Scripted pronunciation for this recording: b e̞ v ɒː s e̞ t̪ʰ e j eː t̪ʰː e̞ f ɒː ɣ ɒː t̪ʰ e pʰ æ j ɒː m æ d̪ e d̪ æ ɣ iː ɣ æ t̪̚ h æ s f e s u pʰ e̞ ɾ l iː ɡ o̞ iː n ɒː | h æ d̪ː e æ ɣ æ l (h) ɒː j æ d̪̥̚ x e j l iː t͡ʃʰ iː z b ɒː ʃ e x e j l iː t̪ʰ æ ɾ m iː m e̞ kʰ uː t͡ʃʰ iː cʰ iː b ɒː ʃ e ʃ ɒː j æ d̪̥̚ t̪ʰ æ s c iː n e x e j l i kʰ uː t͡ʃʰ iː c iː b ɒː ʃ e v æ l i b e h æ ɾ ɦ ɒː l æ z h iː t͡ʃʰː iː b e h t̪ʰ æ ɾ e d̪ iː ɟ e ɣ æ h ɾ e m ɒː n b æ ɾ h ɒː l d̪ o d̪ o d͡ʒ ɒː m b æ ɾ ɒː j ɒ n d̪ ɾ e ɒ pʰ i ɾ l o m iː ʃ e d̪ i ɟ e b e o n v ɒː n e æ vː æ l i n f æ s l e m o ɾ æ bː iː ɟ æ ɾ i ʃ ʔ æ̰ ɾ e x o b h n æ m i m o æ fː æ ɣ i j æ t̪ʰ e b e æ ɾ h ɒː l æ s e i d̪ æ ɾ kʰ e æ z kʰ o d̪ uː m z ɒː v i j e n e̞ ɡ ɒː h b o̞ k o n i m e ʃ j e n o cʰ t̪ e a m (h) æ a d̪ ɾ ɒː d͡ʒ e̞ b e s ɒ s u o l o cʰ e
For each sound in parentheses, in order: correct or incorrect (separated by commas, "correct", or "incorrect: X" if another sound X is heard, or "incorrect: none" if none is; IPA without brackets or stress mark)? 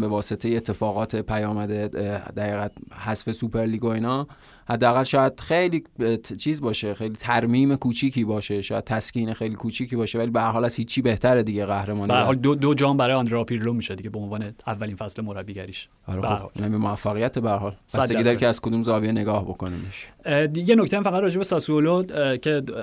incorrect: ʃ, incorrect: f